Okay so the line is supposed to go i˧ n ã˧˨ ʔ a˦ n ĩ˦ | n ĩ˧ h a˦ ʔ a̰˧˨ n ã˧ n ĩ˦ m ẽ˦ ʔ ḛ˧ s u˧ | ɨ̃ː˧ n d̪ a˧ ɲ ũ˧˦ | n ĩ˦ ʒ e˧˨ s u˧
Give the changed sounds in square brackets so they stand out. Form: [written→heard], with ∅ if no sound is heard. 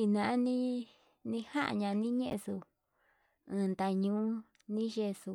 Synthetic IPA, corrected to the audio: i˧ n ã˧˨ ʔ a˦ n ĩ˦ | n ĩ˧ h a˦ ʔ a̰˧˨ [n→ɲ] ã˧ n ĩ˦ [m→ɲ] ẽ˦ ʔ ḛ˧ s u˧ | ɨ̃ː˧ n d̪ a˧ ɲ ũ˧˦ | n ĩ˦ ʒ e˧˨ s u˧